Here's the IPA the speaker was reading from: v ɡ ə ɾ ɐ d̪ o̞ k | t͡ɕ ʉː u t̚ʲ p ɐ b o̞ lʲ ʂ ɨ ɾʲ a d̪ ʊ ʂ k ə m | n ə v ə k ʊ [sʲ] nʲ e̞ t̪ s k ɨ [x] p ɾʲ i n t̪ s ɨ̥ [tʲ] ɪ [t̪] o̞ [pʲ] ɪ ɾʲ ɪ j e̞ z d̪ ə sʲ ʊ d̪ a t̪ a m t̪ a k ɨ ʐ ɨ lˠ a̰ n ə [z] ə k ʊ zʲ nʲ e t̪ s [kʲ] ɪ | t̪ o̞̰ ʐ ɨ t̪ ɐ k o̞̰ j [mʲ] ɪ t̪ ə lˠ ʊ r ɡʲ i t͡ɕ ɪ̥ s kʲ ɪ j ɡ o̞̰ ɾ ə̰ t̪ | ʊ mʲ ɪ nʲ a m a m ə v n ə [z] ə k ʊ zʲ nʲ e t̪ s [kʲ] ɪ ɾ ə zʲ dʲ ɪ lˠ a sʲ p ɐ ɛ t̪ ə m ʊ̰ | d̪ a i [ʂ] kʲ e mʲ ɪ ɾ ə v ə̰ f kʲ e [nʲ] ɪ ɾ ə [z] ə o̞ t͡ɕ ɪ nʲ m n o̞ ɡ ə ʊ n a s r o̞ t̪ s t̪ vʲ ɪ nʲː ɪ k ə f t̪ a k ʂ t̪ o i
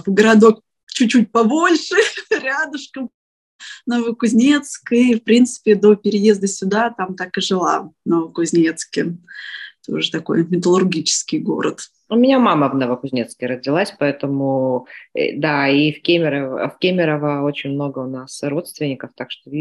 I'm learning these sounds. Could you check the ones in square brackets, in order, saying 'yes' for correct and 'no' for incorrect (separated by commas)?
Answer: no, no, no, no, yes, no, yes, yes, no, yes, no, no, no